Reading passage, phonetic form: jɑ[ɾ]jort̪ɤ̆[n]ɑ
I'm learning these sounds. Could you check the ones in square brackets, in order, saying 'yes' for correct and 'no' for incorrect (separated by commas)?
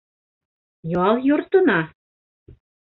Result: no, yes